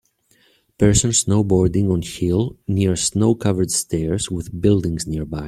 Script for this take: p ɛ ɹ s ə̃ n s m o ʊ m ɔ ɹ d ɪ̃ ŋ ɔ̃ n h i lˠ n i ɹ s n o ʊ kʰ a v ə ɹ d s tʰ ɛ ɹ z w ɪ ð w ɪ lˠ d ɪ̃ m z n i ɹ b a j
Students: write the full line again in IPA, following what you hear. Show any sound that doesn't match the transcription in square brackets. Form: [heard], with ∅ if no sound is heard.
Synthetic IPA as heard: p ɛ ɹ s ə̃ n s [n] o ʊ [b] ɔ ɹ d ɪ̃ ŋ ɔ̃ n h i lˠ n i ɹ s n o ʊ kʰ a v ə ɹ d s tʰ ɛ ɹ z w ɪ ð [b] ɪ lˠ d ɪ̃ [ŋ] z n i ɹ b a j